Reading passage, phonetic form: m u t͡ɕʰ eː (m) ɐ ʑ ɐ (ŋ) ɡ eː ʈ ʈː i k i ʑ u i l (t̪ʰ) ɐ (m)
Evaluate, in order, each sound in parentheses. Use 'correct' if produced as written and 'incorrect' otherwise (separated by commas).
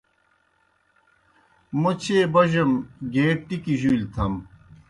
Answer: incorrect, incorrect, correct, correct